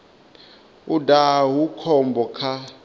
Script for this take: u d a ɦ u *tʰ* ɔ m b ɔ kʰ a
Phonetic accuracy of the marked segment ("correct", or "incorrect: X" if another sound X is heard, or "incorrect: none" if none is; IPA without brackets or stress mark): incorrect: kʰ